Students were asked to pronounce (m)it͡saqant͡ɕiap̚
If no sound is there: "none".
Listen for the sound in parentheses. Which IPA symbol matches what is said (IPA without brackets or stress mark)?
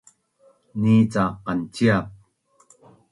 n